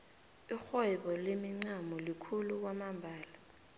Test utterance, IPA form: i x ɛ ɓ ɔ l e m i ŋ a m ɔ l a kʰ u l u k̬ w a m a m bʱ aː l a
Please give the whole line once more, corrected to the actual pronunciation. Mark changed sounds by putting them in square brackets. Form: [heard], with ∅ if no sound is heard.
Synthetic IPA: i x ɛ ɓ ɔ l e m i [ŋ͡ǀ] a m ɔ l [i] kʰ u l u k̬ w a m a m bʱ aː l a